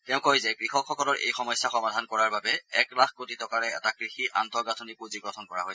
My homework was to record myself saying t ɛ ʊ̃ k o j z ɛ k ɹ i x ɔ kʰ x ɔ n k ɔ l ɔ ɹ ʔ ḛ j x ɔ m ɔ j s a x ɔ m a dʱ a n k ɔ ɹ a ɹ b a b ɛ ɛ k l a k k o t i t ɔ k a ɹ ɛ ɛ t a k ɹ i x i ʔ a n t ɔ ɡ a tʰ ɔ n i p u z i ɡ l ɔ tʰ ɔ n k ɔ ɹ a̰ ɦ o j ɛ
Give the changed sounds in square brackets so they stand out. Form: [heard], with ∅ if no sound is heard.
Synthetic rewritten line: t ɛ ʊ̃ k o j z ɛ k ɹ i x ɔ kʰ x ɔ [∅] k ɔ l ɔ ɹ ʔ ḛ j x ɔ m ɔ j s a x ɔ m a dʱ a n k ɔ ɹ a ɹ b a b ɛ ɛ k l a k k o t i t ɔ k a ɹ ɛ ɛ t a k ɹ i x i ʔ a n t ɔ ɡ a tʰ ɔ n i p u z i ɡ [ɹ] ɔ tʰ ɔ n k ɔ ɹ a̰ ɦ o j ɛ